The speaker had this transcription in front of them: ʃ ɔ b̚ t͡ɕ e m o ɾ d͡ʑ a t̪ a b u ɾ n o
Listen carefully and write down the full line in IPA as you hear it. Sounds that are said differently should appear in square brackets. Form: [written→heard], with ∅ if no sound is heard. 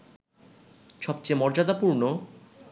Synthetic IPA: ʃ ɔ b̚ t͡ɕ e m [o→ɔ] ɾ d͡ʑ a [t̪→d̪] a [b→p] u ɾ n o